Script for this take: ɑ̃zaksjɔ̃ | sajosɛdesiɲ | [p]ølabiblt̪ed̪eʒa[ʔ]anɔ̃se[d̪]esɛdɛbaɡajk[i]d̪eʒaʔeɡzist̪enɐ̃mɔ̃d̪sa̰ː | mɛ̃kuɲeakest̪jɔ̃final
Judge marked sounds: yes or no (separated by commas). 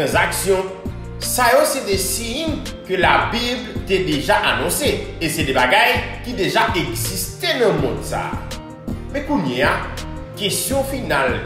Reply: no, yes, no, yes